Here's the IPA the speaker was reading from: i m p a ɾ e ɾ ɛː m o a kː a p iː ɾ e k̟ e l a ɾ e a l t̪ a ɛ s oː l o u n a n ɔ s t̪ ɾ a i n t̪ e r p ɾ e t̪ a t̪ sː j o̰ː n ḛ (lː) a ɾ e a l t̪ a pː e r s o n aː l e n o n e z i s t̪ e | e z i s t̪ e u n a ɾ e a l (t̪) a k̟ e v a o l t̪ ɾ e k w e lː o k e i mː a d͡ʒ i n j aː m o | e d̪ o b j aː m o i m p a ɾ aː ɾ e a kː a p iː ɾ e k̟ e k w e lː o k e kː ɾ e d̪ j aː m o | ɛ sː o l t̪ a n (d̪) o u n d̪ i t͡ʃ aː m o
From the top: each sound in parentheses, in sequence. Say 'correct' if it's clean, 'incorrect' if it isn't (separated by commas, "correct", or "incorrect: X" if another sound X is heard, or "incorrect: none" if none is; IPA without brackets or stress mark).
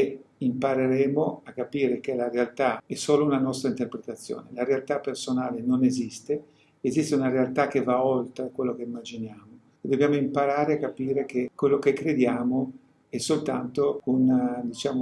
incorrect: l, correct, incorrect: t̪